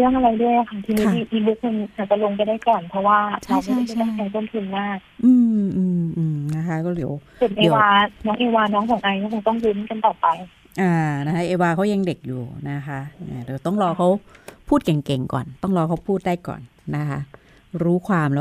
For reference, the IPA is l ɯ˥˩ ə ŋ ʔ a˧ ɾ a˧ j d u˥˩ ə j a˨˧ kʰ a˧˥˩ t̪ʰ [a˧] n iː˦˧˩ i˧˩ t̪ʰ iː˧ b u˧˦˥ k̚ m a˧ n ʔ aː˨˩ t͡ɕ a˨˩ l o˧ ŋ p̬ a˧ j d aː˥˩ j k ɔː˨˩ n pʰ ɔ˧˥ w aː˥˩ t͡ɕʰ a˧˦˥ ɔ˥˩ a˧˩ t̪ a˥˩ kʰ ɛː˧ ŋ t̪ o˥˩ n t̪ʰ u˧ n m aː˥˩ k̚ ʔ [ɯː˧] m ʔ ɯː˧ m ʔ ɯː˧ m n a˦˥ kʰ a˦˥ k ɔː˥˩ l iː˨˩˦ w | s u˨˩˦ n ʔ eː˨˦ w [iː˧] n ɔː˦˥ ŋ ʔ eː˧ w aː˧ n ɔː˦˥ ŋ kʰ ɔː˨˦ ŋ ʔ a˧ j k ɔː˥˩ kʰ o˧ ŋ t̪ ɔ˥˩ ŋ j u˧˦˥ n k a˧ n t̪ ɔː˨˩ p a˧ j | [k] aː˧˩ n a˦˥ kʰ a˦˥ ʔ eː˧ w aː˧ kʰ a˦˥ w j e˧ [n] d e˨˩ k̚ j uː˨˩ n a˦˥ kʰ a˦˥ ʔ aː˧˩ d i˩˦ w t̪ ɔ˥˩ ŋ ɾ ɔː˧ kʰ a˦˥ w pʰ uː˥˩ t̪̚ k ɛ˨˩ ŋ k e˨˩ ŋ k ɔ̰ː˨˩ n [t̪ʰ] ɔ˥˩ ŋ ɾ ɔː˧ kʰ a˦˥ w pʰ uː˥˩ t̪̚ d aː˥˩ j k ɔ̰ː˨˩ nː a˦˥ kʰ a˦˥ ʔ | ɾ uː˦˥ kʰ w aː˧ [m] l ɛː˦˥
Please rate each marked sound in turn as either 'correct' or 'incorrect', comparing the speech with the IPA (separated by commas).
incorrect, correct, incorrect, incorrect, incorrect, incorrect, correct